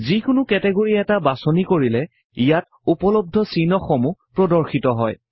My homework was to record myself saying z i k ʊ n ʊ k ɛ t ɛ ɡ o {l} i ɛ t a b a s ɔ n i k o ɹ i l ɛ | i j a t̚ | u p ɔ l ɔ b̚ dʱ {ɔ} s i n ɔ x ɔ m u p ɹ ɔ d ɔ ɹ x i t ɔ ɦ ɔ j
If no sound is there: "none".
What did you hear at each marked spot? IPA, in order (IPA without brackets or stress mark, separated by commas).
ɹ, ɔ